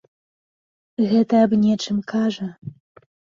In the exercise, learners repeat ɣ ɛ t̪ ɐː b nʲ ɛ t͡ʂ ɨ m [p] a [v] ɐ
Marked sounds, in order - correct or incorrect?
incorrect: k, incorrect: ʐ

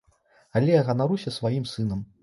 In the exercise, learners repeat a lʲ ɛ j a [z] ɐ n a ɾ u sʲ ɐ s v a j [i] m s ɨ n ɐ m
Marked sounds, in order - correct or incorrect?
incorrect: ɣ, correct

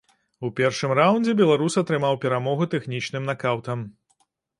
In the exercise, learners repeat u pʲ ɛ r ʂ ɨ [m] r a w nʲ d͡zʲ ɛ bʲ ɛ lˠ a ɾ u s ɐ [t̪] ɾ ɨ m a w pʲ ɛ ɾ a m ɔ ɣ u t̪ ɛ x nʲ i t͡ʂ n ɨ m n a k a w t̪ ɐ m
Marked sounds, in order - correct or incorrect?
correct, correct

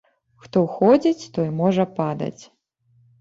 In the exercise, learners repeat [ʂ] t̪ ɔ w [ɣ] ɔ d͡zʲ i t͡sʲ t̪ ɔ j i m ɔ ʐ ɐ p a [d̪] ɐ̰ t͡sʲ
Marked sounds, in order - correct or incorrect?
incorrect: x, incorrect: x, correct

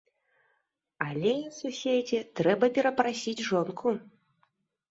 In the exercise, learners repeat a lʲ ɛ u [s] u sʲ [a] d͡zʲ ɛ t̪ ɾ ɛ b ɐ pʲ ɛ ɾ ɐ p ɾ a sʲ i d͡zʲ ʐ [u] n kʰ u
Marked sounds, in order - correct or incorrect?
correct, incorrect: e, incorrect: ɔ

